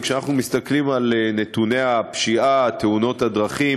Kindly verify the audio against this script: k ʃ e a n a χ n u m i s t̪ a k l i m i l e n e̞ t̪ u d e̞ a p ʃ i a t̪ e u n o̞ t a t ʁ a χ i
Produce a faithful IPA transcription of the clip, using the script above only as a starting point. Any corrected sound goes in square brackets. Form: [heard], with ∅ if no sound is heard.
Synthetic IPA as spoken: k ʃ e a n a χ n u m i s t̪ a k l i m [a] l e n e̞ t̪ u [n] e̞ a p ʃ i a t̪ e u n o̞ t a [d] ʁ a χ i